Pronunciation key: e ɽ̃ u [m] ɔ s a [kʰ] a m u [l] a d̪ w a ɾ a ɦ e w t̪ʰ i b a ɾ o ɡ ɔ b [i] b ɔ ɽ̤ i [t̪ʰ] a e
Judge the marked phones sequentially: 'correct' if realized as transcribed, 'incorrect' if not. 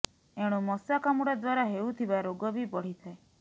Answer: correct, incorrect, incorrect, correct, correct

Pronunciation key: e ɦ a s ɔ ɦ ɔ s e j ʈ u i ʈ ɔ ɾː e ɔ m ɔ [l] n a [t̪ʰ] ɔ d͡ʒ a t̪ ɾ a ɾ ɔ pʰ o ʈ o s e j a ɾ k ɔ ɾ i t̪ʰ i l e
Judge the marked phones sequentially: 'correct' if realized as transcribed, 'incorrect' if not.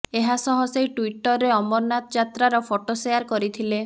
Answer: incorrect, incorrect

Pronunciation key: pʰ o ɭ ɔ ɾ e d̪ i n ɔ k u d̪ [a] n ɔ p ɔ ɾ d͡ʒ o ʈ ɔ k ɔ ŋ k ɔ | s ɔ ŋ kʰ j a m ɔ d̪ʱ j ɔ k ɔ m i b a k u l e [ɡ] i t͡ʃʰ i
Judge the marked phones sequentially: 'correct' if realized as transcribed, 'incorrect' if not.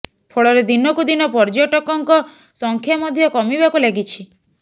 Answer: incorrect, correct

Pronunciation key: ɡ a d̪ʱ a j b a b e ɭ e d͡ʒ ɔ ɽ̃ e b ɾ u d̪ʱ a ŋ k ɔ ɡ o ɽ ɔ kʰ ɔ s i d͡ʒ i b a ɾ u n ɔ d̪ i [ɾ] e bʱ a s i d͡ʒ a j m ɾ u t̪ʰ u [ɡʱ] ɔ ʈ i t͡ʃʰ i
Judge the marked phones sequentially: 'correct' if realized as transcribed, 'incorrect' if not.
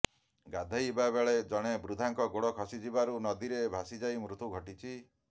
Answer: correct, correct

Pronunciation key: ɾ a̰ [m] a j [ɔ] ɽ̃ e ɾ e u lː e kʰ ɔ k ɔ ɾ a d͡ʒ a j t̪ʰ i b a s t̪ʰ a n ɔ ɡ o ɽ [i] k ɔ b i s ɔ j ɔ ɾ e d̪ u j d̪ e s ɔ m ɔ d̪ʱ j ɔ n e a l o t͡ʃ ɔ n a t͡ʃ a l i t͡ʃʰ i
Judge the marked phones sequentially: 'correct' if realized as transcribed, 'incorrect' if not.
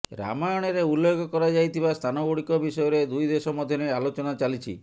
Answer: correct, correct, correct

